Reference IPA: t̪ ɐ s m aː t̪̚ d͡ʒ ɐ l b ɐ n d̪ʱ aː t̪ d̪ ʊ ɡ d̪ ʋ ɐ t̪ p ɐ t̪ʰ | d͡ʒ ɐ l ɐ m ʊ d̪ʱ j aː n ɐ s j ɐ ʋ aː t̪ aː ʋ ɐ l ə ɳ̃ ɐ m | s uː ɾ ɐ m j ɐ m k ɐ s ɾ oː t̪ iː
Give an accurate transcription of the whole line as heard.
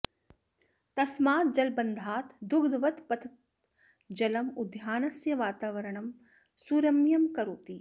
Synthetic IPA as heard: t̪ ɐ s m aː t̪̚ d͡ʒ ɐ l b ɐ n d̪ʱ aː t̪ d̪ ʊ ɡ d̪ ʋ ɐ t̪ p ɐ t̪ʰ | d͡ʒ ɐ l ɐ m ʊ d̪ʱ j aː n ɐ s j ɐ ʋ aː t̪ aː ʋ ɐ ɾ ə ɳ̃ ɐ m | s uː ɾ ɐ m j ɐ m k ɐ ɾ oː t̪ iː